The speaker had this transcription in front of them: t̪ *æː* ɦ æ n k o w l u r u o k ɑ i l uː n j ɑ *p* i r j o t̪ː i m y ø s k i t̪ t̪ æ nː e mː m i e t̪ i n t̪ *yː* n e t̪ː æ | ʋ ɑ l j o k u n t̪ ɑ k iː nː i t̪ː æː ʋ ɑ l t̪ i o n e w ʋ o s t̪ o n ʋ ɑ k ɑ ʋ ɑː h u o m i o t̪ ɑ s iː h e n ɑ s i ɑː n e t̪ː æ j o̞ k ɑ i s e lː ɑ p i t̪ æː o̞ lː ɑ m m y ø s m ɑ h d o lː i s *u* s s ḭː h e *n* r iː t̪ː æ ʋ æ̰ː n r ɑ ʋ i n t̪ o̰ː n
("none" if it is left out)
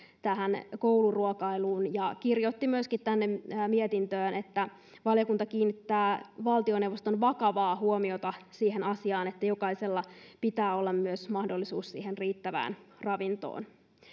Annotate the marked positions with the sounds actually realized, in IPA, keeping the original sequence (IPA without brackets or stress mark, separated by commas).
æ, k, øː, uː, n